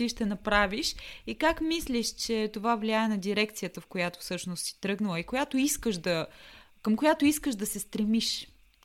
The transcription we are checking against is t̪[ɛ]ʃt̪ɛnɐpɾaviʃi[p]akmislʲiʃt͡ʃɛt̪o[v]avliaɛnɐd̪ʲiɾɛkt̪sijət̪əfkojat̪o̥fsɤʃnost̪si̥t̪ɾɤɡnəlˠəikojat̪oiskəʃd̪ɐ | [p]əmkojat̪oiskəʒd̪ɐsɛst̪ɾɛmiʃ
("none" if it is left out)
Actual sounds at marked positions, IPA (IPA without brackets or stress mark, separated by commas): i, k, v, k